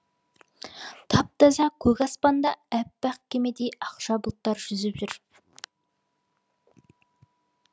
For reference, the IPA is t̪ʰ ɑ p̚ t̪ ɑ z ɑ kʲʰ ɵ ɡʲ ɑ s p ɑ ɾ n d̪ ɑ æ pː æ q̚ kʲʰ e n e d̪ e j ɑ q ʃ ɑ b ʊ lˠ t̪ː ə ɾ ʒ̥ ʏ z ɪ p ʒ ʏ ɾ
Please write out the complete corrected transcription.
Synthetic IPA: t̪ʰ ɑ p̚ t̪ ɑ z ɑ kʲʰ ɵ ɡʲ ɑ s p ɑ n d̪ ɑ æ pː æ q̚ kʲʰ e m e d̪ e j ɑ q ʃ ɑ b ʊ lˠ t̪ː ɑ ɾ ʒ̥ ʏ z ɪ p ʒ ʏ ɾ